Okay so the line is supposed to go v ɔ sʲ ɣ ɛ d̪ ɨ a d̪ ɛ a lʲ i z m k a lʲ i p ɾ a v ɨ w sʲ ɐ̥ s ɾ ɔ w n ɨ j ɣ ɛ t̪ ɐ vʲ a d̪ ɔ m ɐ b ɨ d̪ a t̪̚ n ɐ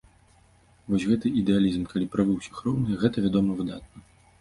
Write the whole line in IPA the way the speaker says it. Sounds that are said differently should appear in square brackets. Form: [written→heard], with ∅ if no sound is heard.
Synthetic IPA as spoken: v ɔ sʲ ɣ ɛ [d̪→t̪] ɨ [a→i] d̪ ɛ a lʲ i z m k a lʲ i p ɾ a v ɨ w sʲ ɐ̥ [s→x] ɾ ɔ w n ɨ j ɣ ɛ t̪ ɐ vʲ a d̪ ɔ m ɐ [b→v] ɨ d̪ a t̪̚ n ɐ

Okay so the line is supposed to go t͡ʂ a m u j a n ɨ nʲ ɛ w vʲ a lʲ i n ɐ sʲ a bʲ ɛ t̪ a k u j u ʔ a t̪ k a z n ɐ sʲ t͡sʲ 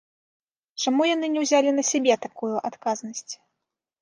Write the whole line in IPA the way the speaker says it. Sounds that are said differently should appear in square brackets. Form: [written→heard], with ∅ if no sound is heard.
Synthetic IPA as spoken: t͡ʂ a m u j a n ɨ nʲ ɛ w [vʲ→zʲ] a lʲ i n ɐ sʲ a bʲ ɛ t̪ a k u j u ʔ a t̪ k a z n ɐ sʲ t͡sʲ

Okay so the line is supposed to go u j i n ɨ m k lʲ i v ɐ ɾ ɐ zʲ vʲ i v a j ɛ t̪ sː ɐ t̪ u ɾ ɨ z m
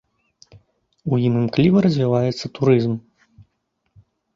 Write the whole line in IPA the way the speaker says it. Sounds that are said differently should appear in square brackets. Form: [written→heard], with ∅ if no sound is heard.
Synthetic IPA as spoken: u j i n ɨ m k lʲ i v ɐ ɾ ɐ zʲ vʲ i v a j ɛ t̪ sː ɐ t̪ u ɾ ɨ z m

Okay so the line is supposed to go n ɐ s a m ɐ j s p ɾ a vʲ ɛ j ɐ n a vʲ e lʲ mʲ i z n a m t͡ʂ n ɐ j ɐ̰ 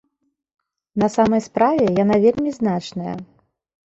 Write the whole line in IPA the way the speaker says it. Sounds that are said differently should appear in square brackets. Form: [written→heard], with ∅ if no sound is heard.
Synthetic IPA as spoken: n ɐ s a m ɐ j s p ɾ a vʲ ɛ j [ɐ→a] n a vʲ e lʲ mʲ i z n a [m→∅] t͡ʂ n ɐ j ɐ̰

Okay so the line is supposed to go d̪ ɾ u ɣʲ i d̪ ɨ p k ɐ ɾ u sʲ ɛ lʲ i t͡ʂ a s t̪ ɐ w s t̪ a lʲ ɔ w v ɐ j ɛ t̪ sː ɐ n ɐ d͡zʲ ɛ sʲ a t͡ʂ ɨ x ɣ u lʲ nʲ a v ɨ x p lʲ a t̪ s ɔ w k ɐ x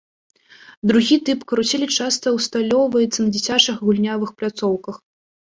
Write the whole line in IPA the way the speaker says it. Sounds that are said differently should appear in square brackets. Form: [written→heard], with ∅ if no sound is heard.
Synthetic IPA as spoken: d̪ ɾ u ɣʲ i [d̪→t̪] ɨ p k ɐ ɾ u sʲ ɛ lʲ i t͡ʂ a s t̪ ɐ w s t̪ a lʲ ɔ w v ɐ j ɛ t̪ sː ɐ n ɐ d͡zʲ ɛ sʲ a t͡ʂ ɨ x ɣ u lʲ nʲ a v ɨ x p lʲ a t̪ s ɔ w k ɐ x

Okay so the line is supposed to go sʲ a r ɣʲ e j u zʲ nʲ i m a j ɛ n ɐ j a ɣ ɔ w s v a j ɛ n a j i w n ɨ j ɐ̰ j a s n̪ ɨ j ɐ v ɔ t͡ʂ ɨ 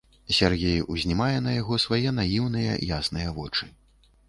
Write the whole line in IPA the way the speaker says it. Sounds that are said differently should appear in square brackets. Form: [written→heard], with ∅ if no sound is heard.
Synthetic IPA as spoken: sʲ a r ɣʲ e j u zʲ nʲ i m a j ɛ n ɐ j a ɣ ɔ [w→∅] s v a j ɛ n a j i w n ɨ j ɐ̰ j a s n̪ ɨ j ɐ v ɔ t͡ʂ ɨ

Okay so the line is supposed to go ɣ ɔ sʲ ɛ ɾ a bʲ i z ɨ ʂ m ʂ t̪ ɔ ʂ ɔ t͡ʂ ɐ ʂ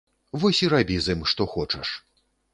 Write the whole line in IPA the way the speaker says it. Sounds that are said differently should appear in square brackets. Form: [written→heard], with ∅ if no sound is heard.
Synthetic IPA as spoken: [ɣ→v] ɔ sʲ [ɛ→i] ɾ a bʲ i z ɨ [ʂ→∅] m ʂ t̪ ɔ [ʂ→x] ɔ t͡ʂ ɐ ʂ

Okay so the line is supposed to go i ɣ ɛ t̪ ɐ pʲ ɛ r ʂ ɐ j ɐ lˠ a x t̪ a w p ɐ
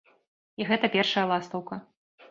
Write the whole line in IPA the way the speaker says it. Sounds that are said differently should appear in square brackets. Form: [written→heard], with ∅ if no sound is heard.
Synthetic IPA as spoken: i ɣ ɛ t̪ ɐ pʲ ɛ r ʂ ɐ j ɐ lˠ a [x→s] t̪ [a→ɐ] w [p→k] ɐ

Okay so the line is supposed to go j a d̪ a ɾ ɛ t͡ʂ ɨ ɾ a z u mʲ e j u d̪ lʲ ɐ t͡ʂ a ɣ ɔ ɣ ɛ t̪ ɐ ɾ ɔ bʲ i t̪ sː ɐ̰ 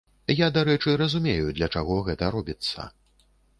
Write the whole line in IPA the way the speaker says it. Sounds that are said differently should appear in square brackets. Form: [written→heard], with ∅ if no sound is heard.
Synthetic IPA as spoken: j a d̪ a ɾ ɛ t͡ʂ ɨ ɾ [a→ɐ] z u mʲ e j u d̪ lʲ ɐ t͡ʂ a ɣ ɔ ɣ ɛ t̪ ɐ ɾ ɔ bʲ i t̪ sː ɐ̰

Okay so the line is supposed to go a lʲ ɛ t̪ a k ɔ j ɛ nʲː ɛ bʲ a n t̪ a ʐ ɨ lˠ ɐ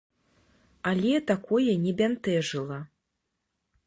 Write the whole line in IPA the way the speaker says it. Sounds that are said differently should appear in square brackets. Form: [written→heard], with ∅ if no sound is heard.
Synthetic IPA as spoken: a lʲ ɛ t̪ a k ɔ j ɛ [nʲː→nʲ] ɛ bʲ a n t̪ [a→ɛ] ʐ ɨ lˠ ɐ

